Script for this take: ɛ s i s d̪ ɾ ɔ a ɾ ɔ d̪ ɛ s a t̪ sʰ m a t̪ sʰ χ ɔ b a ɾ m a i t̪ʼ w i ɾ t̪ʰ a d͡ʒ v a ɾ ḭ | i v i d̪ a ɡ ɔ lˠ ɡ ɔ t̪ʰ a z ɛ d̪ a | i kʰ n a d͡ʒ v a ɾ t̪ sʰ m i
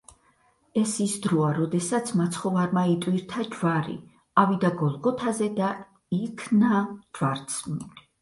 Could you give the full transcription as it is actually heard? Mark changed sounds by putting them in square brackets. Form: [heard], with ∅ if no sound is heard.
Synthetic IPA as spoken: ɛ s i s d̪ ɾ ɔ a ɾ ɔ d̪ ɛ s a t̪ sʰ m a t̪ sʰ χ ɔ [v] a ɾ m a i t̪ʼ w i ɾ t̪ʰ a d͡ʒ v a ɾ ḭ | [a] v i d̪ a ɡ ɔ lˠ ɡ ɔ t̪ʰ a z ɛ d̪ a | i kʰ n a d͡ʒ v a ɾ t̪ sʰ m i